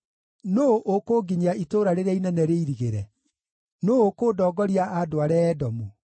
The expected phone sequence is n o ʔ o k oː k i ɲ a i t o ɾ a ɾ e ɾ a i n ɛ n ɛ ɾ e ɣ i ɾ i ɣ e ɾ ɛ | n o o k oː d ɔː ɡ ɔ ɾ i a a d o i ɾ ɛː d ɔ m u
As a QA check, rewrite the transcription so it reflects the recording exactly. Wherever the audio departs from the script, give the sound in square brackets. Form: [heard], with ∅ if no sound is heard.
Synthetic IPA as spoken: n o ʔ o k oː [ɡ] i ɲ a i t o ɾ a ɾ e ɾ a i n ɛ n ɛ ɾ e [∅] i ɾ i ɣ e ɾ ɛ | n o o k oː d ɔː ɡ ɔ ɾ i a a d o [a] ɾ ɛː d ɔ m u